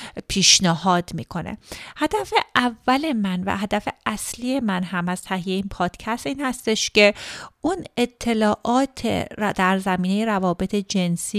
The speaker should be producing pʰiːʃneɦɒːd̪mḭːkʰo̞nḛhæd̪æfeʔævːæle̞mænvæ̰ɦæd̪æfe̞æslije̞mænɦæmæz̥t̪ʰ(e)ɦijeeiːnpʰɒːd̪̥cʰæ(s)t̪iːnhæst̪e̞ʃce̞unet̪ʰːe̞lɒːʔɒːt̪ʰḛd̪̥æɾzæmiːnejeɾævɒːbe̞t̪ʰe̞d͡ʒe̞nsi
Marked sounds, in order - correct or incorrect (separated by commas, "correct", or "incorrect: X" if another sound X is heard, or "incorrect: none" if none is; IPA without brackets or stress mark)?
incorrect: æ, correct